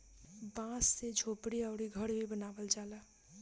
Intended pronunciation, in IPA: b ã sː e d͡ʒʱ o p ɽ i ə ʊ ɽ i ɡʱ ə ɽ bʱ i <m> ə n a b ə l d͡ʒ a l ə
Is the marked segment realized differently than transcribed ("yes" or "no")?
yes